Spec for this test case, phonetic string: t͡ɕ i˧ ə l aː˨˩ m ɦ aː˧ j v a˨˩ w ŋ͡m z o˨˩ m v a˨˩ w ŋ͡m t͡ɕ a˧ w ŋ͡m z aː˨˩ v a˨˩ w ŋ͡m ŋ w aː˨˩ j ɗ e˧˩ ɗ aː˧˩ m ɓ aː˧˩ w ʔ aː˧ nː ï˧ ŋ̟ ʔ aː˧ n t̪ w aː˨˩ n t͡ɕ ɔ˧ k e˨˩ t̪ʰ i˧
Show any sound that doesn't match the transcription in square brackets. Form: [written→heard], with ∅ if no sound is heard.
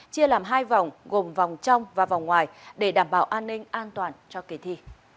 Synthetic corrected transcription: t͡ɕ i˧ ə l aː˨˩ m ɦ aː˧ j v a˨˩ w ŋ͡m [z→ɣ] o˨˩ m v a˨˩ w ŋ͡m t͡ɕ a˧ w ŋ͡m [z→v] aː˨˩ v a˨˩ w ŋ͡m ŋ w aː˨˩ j ɗ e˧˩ ɗ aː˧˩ m ɓ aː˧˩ w ʔ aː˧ nː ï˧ ŋ̟ ʔ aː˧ n t̪ w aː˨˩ n t͡ɕ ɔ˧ k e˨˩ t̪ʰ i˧